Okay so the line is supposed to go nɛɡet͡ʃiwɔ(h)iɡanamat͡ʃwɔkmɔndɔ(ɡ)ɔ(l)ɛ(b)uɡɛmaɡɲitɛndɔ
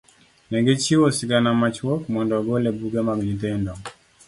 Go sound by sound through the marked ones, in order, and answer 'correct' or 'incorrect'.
incorrect: s, correct, correct, correct

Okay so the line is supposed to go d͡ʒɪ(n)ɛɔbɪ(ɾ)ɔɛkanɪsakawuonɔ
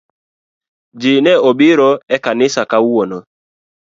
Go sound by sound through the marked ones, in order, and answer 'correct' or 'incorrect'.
correct, correct

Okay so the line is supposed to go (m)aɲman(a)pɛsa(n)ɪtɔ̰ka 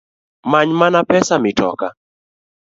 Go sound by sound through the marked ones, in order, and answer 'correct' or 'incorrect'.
correct, correct, incorrect: m

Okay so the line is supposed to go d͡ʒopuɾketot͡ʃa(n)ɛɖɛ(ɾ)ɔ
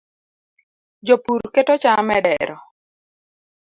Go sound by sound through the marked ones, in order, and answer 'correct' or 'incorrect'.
incorrect: m, correct

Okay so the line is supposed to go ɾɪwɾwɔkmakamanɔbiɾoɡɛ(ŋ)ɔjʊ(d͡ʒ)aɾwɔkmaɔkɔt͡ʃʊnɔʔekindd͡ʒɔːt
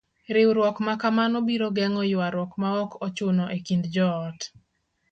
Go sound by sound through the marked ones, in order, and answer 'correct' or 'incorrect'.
correct, incorrect: none

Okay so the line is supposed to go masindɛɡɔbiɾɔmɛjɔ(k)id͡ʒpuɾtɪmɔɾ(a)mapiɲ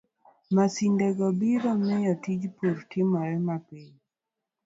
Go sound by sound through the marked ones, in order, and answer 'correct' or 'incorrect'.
incorrect: t, incorrect: ɛ

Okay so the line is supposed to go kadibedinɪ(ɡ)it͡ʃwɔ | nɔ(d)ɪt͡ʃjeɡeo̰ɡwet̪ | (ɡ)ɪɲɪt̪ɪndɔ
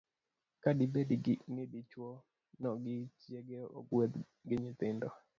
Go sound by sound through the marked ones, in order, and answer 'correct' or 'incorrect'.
incorrect: d, incorrect: ɡ, correct

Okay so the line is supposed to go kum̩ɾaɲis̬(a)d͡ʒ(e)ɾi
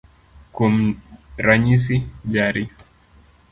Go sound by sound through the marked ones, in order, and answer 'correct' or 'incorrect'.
incorrect: i, incorrect: a

